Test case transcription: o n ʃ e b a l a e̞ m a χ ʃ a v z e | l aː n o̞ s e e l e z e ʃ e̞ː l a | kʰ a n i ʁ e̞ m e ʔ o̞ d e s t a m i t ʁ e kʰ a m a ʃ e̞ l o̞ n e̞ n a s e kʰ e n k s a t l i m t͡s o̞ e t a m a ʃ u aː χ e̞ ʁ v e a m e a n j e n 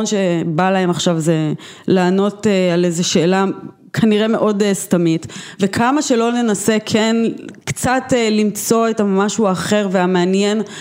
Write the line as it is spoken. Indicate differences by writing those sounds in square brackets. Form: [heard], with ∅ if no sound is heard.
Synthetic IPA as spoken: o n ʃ e b a l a e̞ m a χ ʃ a v z e | l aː n o̞ [t] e [a] l e z e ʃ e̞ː l a | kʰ a n i ʁ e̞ m e ʔ o̞ d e s t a m i t [v] e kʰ a m a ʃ e̞ l o̞ n e̞ n a s e kʰ e n k [t͡s] a t l i m t͡s o̞ e t a m a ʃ u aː χ e̞ ʁ v e a m e a n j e n